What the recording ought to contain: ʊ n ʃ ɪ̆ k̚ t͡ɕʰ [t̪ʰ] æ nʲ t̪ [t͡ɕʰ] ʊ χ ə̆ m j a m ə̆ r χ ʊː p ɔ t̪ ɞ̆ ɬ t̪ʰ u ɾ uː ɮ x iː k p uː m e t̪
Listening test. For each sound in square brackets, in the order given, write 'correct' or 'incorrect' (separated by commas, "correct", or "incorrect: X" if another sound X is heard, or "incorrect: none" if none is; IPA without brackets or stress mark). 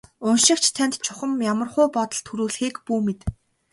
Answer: correct, correct